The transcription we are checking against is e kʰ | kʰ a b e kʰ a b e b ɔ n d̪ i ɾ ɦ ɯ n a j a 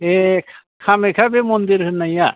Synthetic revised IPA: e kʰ | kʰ a m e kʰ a b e m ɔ n d̪ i ɾ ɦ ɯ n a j a